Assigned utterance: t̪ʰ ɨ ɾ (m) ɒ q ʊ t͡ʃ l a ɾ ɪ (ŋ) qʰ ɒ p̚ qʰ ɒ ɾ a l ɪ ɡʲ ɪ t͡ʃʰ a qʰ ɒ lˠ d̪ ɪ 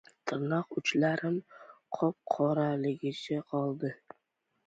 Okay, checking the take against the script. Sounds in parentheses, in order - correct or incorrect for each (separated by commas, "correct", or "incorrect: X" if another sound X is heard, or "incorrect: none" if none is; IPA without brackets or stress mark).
incorrect: n, incorrect: m